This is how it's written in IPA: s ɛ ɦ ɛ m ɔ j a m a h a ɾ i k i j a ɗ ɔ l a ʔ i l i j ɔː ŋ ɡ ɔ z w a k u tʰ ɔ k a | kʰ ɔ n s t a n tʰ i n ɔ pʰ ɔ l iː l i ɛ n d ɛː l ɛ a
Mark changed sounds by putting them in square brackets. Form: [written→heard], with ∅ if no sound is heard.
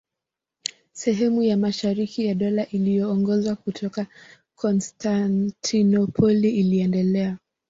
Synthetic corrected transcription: s ɛ ɦ ɛ m [ɔ→u] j a m a [h→ʃ] a ɾ i k i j a ɗ ɔ l a ʔ i l i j ɔː ŋ ɡ ɔ z w a k u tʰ ɔ k a | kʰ ɔ n s t a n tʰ i n ɔ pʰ ɔ l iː l i ɛ n d [ɛː→ɛ] l ɛ a

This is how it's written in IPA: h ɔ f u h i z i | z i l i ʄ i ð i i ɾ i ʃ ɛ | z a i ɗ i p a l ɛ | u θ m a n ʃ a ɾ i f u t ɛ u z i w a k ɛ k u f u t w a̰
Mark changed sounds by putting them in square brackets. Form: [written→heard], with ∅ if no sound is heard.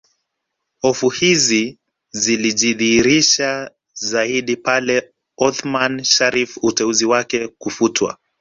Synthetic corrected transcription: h ɔ f u h i z i | z i l i ʄ i ð i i ɾ i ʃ [ɛ→a] | z a i ɗ i p a l ɛ | [u→ɔ] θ m a n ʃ a ɾ i f u t ɛ u z i w a k ɛ k u f u t w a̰

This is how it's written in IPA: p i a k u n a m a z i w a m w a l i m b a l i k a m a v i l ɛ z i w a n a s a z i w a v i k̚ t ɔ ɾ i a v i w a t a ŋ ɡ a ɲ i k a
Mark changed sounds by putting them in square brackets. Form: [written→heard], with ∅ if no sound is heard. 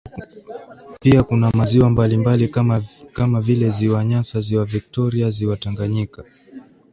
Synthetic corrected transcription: p i a k u n a m a z i w a m [w→b] a l i m b a l i k a m a v i l ɛ z i w a [n→ɲ] a s a z i w a v i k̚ t ɔ ɾ i a [v→z] i w a t a ŋ ɡ a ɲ i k a

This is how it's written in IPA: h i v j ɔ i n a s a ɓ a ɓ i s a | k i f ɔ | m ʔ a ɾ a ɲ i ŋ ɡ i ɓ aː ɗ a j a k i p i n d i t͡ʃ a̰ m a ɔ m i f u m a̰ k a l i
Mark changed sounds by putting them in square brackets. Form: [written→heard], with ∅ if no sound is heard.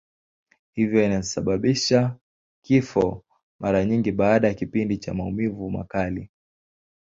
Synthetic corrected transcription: h i v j ɔ i n a s a ɓ a ɓ i [s→ʃ] a | k i f ɔ | m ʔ a ɾ a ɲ i ŋ ɡ i ɓ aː ɗ a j a k i p i n d i t͡ʃ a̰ m a [ɔ→u] m i [f→v] u m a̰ k a l i

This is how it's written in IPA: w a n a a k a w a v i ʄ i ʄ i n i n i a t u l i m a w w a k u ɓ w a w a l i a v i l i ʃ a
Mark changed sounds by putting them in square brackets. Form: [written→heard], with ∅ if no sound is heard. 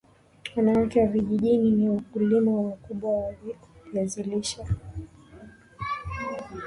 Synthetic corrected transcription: w a n a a k [a→ɛ] w a v i ʄ i ʄ i n i n i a [t→k] u l i m a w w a k u ɓ w a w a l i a [v→z] i l i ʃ a

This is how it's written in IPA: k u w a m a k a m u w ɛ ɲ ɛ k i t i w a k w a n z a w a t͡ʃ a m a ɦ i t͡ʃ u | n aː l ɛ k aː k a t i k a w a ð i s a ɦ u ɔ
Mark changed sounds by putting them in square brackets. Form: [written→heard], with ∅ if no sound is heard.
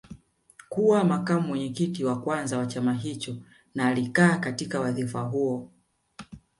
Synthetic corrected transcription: k u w a m a k a m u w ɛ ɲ ɛ k i t i w a k w a n z a w a t͡ʃ a m a ɦ i t͡ʃ [u→ɔ] | n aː l [ɛ→i] k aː k a t i k a w a ð i [s→f] a ɦ u ɔ

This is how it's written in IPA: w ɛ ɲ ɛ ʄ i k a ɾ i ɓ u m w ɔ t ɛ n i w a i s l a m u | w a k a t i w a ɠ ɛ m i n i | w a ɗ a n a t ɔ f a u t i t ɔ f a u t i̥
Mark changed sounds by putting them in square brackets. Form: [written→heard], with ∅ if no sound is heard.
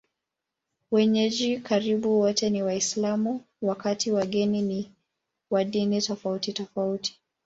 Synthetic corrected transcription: w ɛ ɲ ɛ ʄ i k a ɾ i ɓ u [m→∅] w ɔ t ɛ n i w a i s l a m u | w a k a t i w a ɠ ɛ [m→n] i n i | w a ɗ [a→i] n [a→i] t ɔ f a u t i t ɔ f a u t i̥

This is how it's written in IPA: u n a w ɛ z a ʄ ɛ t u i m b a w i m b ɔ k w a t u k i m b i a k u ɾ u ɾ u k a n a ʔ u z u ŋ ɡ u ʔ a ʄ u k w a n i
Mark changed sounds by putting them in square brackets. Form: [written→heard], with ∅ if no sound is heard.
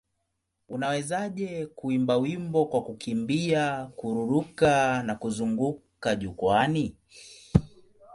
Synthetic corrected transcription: u n a w ɛ z a ʄ ɛ [t→k] u i m b a w i m b ɔ k w a [t→k] u k i m b i a k u ɾ u ɾ u k a n a [ʔ→k] u z u ŋ ɡ u [ʔ→k] a ʄ u k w a n i

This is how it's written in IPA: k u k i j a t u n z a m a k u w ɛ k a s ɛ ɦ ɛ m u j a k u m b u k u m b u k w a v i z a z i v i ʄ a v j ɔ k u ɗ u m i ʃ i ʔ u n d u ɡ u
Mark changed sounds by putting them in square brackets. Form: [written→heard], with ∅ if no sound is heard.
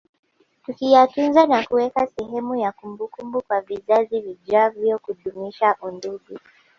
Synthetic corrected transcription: [k→t] u k i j a t u n z a [m→n] a k u w ɛ k a s ɛ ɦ ɛ m u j a k u m b u k u m b u k w a v i z a z i v i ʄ a v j ɔ k u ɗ u m i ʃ [i→a] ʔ u n d u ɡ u

